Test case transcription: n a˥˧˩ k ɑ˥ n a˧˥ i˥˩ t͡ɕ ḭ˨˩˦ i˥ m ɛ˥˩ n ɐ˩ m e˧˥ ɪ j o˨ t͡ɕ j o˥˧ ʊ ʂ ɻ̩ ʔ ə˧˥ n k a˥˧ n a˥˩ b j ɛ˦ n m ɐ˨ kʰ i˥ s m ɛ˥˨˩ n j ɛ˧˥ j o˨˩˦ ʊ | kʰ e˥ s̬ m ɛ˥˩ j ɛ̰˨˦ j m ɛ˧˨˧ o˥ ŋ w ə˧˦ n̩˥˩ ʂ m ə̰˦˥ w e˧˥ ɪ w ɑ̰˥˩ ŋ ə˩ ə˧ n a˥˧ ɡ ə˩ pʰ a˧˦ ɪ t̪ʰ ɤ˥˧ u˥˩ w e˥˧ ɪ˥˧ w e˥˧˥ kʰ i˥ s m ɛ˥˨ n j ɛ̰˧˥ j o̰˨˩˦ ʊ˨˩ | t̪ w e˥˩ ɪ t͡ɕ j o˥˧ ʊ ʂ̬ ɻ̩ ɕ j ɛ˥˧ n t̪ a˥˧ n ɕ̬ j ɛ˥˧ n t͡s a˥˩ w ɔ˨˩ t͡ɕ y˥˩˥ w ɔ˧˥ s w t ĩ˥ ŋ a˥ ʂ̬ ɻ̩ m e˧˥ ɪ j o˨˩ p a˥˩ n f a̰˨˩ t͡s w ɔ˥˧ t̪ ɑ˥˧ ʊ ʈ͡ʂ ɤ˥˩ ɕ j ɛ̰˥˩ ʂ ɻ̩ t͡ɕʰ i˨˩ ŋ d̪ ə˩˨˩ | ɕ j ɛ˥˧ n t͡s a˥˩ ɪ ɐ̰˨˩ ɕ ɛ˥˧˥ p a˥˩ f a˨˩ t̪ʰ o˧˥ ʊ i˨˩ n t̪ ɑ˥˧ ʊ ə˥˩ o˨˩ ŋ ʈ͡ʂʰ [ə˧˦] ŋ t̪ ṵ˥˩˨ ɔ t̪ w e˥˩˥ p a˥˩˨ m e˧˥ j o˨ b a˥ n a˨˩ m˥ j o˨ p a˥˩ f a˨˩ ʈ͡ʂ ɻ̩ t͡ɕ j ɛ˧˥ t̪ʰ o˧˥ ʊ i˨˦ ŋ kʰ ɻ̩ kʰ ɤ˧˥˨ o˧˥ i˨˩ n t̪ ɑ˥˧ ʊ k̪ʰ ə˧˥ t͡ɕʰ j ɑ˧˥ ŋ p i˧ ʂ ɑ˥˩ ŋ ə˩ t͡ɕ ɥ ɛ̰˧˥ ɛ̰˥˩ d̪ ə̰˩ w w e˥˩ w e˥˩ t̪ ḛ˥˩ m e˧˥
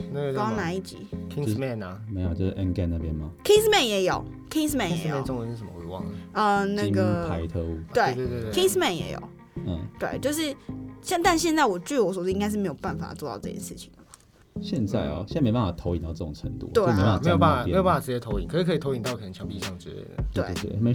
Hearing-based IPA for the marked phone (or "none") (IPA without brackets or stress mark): ə˧˦